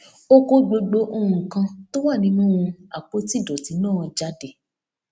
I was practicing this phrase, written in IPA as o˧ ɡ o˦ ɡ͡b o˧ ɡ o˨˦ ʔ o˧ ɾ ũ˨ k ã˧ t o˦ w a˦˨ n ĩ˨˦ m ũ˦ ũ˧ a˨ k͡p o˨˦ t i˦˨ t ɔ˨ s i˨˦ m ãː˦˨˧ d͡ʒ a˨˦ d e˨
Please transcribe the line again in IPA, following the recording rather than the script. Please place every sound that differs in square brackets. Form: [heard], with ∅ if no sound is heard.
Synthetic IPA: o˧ [k] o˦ ɡ͡b o˧ [ɡ͡b] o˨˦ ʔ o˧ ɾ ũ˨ k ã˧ t o˦ w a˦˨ n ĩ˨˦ [n] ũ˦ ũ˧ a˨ k͡p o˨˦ t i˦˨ [d] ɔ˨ [t] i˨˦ [n] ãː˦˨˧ d͡ʒ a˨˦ d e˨